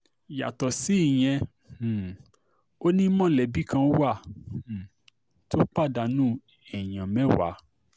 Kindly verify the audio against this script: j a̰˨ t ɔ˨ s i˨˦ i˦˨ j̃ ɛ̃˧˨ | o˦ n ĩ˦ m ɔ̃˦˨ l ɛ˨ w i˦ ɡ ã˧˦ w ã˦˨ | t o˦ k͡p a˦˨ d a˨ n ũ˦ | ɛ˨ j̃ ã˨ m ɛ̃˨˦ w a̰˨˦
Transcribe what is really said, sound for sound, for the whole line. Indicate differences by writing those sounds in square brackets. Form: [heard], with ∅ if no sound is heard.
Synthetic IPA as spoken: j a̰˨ t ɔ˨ s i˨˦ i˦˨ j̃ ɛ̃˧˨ | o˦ n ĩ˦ m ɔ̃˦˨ l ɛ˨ [b] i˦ [k] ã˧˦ w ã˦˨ | t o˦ k͡p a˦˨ d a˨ n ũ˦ | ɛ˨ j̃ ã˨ m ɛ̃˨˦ w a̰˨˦

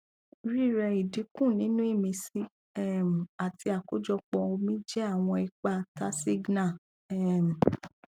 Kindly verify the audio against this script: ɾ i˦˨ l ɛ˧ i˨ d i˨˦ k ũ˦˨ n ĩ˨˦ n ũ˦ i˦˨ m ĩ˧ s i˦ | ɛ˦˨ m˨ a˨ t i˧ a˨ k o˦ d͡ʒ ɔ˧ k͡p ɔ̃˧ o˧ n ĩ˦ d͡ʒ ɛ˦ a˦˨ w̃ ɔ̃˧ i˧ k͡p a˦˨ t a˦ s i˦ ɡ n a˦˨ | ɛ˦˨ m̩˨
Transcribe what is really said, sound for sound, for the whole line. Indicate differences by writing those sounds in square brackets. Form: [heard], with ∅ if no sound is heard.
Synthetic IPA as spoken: ɾ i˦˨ [ɾ] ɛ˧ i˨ d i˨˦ k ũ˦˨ n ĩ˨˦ n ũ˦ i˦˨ m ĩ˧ s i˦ | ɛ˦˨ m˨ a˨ t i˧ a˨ k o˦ d͡ʒ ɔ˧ k͡p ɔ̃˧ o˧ [m] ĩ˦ d͡ʒ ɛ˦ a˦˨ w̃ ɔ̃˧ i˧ k͡p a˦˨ t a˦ s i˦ ɡ n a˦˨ | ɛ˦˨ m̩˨

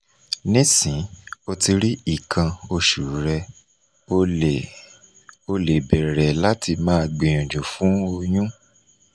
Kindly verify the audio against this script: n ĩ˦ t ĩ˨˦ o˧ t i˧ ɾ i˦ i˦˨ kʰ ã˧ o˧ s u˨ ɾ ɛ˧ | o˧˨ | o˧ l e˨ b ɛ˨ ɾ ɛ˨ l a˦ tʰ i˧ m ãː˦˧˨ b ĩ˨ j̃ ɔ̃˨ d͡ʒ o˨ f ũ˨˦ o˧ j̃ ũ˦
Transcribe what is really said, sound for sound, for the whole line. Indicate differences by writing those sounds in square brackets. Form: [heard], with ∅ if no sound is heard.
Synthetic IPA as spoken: n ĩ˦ [s] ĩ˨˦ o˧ t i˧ ɾ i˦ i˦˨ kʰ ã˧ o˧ [ʃ] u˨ ɾ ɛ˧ | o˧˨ | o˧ l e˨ b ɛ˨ ɾ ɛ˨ l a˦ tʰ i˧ m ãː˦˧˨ [ɡ͡b] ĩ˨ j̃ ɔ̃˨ d͡ʒ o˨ f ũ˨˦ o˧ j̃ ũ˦

